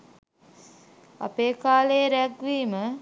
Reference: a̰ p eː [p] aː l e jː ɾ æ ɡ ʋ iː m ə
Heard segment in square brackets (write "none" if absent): k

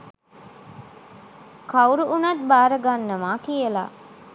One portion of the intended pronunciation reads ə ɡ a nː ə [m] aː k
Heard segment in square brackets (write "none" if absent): m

